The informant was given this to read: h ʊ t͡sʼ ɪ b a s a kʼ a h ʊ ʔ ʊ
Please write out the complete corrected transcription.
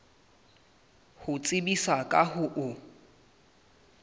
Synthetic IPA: h ʊ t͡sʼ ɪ b i s a kʼ a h ʊ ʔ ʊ